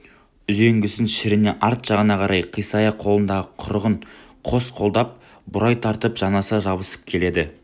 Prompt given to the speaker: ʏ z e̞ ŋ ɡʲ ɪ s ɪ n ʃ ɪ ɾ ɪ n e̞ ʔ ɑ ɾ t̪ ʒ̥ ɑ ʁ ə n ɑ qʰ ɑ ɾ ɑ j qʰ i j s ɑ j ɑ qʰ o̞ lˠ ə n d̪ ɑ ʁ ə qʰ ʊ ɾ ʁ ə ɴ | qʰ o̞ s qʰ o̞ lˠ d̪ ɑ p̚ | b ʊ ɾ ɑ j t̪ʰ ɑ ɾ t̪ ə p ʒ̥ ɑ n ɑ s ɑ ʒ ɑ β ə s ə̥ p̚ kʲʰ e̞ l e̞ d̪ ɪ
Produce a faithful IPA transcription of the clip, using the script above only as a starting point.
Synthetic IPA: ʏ z e̞ ŋ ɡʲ ɪ s ɪ n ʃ ɪ ɾ ɪ n e̞ ʔ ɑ ɾ t̪ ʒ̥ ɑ ʁ ə n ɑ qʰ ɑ ɾ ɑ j qʰ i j s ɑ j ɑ qʰ o̞ lˠ ə n d̪ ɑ ʁ ə qʰ ʊ ɾ ʁ ə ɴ | qʰ o̞ s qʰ o̞ lˠ d̪ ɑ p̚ | b ʊ ɾ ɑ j t̪ʰ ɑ ɾ t̪ ə p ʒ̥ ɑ n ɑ s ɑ ʒ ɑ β ə s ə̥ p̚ kʲʰ e̞ l e̞ d̪ ɪ